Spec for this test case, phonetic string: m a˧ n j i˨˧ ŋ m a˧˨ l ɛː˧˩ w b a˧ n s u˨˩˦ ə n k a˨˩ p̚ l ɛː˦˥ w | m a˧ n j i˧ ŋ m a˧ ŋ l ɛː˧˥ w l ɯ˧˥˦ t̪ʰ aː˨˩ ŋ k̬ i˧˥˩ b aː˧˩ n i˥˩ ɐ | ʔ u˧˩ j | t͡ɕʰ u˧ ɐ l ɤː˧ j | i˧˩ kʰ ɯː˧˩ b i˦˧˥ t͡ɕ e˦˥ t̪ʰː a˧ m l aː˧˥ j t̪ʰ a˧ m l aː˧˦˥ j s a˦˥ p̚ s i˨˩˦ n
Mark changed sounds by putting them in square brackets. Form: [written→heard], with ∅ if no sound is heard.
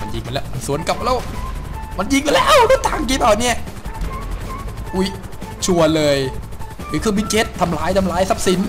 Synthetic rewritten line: m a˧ n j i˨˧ ŋ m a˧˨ l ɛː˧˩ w [b→m] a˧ n s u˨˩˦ ə n k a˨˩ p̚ l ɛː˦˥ w | m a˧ n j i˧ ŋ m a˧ [ŋ→∅] l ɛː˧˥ w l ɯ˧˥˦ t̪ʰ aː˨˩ ŋ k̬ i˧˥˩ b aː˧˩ n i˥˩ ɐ | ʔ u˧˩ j | t͡ɕʰ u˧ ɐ l ɤː˧ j | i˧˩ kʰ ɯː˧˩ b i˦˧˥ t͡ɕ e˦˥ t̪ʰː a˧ m l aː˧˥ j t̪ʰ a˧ m l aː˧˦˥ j s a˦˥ p̚ s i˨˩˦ n